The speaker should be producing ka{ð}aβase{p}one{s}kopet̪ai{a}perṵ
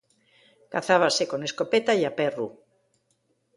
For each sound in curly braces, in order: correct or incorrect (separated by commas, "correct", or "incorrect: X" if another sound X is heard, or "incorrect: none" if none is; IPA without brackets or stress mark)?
incorrect: θ, incorrect: k, correct, correct